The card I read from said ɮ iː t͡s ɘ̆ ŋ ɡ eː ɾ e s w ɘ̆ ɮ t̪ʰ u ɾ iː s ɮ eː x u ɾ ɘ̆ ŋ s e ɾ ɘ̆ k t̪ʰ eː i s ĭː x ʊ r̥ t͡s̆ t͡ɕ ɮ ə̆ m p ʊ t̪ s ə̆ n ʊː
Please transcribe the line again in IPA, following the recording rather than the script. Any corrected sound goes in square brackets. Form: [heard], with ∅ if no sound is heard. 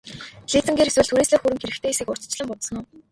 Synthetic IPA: ɮ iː t͡s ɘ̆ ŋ ɡ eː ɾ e s w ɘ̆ ɮ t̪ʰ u ɾ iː s ɮ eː x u ɾ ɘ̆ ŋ [x] e ɾ ɘ̆ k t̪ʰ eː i s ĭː [k] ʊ r̥ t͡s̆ t͡ɕ ɮ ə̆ m p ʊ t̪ s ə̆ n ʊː